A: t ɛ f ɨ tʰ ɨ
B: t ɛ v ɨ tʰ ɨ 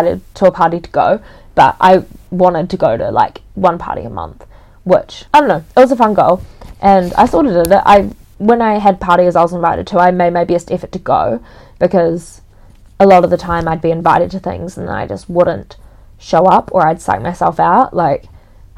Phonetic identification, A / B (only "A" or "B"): A